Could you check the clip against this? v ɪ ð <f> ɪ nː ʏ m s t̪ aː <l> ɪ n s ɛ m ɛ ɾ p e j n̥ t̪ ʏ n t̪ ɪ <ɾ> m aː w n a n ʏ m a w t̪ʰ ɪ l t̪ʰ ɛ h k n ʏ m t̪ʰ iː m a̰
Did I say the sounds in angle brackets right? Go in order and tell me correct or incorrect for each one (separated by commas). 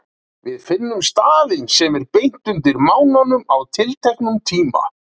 correct, correct, correct